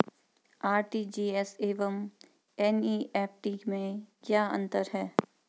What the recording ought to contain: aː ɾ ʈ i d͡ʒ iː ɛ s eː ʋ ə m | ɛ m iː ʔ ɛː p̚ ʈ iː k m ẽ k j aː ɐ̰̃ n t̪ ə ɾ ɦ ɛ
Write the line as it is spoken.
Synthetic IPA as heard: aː ɾ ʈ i d͡ʒ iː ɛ s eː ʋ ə m | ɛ n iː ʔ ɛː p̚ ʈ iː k m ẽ k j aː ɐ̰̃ n t̪ ə ɾ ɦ ɛː